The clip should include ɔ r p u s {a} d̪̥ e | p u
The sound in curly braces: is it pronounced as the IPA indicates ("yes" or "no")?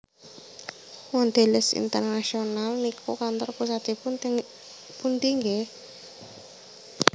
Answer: yes